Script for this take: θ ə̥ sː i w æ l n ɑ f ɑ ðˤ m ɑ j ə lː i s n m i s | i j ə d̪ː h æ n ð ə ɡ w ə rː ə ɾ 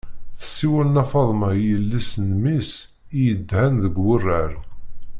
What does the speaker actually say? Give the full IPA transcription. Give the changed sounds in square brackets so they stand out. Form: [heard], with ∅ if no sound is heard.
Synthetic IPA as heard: θ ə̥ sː i w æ l n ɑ f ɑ ðˤ m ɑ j ə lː i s n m i s | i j ə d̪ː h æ n ð ə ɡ w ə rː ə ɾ